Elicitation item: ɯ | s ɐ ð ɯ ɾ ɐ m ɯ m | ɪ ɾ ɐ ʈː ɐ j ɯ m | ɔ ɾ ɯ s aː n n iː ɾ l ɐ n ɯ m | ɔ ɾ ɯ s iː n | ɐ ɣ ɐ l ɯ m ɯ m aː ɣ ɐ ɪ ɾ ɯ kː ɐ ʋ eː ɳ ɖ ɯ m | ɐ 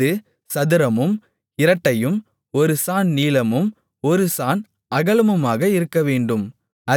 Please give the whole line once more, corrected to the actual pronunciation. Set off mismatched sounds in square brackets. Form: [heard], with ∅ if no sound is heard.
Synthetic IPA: ɯ | s ɐ ð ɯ ɾ ɐ m ɯ m | ɪ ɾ ɐ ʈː ɐ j ɯ m | ɔ ɾ ɯ s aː n n iː [∅] l ɐ [m] ɯ m | ɔ ɾ ɯ s [aː] n | ɐ ɣ ɐ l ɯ m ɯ m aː ɣ ɐ ɪ ɾ ɯ kː ɐ ʋ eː ɳ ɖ ɯ m | ɐ

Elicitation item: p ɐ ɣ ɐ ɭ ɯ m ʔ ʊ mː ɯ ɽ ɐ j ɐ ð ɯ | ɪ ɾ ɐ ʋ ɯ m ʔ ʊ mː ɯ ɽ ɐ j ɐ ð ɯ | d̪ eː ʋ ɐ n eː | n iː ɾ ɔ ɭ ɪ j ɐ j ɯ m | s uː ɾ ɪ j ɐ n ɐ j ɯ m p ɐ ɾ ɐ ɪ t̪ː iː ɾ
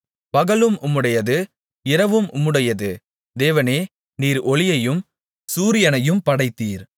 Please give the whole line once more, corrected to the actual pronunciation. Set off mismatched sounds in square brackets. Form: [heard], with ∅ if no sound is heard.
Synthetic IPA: p ɐ ɣ ɐ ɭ ɯ m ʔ ʊ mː ɯ ɽ ɐ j ɐ ð ɯ | ɪ ɾ ɐ ʋ ɯ m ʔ ʊ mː ɯ ɽ ɐ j ɐ ð ɯ | d̪ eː ʋ ɐ n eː | n iː ɾ ɔ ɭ ɪ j ɐ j ɯ m | s uː ɾ ɪ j ɐ n ɐ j ɯ m p ɐ [ɽ] ɐ ɪ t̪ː iː ɾ

